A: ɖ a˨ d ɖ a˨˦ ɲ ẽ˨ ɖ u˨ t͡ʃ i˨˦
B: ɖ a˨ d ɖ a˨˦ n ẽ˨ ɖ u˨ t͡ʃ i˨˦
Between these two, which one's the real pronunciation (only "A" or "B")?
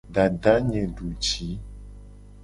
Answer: A